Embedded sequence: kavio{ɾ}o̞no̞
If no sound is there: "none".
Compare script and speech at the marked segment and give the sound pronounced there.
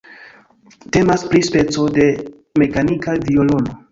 l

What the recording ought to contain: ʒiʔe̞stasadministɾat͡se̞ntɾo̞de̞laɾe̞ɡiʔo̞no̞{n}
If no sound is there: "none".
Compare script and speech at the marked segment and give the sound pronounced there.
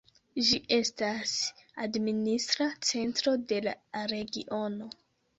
none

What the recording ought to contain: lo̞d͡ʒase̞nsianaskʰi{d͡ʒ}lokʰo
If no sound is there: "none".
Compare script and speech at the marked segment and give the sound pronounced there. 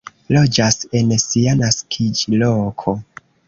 d͡ʒ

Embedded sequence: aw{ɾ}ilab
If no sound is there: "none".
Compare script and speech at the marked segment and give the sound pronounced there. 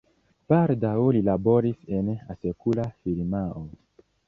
l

